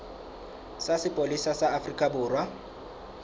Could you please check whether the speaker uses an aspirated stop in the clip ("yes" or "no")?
no